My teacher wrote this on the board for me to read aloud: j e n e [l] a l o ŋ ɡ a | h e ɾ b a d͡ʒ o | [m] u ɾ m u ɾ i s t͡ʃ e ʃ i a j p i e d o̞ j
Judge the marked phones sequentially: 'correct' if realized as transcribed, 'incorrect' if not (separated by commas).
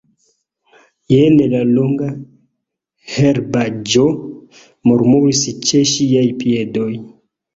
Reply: correct, correct